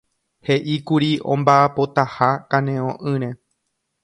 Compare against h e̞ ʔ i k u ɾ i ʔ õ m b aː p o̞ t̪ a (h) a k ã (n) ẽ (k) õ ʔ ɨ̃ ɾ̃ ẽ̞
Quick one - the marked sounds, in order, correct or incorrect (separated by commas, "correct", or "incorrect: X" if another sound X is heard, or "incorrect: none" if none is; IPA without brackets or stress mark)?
correct, correct, incorrect: none